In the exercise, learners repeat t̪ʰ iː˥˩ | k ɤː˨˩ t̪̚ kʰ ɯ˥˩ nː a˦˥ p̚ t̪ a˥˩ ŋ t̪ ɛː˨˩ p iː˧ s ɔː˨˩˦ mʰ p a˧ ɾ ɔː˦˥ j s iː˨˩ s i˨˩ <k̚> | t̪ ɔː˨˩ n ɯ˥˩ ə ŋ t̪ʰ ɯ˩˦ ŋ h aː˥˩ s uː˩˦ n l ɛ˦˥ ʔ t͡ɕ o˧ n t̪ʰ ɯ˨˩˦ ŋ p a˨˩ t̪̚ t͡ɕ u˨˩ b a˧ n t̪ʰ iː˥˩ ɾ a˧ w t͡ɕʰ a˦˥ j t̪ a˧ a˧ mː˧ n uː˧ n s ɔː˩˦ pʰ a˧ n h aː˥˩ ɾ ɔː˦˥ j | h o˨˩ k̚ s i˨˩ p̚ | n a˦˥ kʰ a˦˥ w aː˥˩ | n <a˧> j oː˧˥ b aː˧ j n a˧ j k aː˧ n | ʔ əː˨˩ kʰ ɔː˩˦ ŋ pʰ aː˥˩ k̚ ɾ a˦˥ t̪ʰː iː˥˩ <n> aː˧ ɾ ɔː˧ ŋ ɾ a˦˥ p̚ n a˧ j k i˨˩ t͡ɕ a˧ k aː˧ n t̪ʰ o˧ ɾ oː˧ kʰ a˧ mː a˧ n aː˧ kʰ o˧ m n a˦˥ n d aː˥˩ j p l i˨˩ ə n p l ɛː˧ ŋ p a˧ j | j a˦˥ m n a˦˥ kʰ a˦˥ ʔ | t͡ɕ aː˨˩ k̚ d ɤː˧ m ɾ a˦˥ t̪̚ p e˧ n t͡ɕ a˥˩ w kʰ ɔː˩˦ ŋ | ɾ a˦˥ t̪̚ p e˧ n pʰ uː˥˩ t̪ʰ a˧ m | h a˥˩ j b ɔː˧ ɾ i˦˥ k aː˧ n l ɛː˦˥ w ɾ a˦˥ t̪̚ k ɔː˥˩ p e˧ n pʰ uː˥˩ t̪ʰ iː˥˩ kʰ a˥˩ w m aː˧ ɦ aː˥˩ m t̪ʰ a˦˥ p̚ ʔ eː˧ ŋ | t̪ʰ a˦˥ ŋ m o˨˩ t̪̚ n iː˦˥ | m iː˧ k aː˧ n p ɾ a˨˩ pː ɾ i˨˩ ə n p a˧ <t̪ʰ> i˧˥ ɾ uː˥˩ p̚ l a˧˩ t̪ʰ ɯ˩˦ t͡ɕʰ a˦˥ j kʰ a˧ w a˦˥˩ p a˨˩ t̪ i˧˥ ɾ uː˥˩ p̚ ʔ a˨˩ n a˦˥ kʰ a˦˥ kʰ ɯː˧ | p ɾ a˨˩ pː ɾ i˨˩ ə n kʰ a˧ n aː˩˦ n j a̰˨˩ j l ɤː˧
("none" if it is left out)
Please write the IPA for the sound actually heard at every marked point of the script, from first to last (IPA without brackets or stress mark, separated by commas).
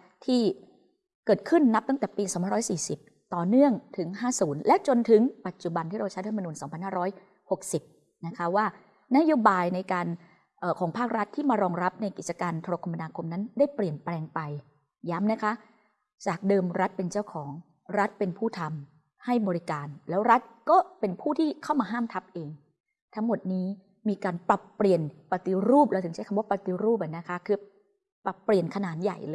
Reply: p̚, a˦˥, m, t̪